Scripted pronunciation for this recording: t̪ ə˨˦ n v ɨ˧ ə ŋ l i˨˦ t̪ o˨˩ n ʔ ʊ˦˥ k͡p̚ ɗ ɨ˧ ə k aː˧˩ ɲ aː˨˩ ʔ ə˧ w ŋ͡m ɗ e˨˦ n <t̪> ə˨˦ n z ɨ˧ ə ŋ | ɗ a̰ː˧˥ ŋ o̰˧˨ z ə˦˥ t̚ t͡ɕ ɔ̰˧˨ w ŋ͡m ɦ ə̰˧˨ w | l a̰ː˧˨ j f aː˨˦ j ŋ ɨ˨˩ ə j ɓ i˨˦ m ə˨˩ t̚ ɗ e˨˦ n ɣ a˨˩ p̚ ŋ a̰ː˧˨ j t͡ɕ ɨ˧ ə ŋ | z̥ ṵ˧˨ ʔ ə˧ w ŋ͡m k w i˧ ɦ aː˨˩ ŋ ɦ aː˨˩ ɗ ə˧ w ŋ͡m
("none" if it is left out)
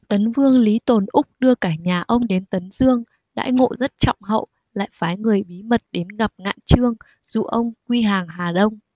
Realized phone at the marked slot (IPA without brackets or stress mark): t̪